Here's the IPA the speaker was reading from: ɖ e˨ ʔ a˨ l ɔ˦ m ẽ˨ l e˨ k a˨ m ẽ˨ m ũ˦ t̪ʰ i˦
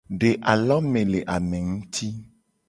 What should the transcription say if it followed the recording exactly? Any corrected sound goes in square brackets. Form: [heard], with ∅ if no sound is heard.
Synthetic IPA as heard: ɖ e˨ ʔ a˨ l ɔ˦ m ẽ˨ l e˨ [ʔ] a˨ m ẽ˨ [ŋ] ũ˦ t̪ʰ i˦